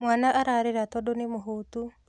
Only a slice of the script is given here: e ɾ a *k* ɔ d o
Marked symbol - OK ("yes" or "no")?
no